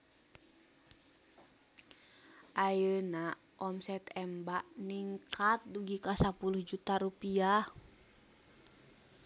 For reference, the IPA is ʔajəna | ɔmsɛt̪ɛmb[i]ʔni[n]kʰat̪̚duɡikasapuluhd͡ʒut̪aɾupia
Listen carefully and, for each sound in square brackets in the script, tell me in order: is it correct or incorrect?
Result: incorrect: a, incorrect: ŋ

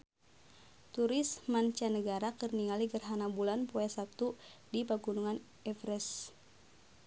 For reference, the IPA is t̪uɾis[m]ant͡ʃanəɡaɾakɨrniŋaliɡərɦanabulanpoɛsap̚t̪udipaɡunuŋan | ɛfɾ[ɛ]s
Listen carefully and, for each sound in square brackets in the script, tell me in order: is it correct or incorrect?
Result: correct, correct

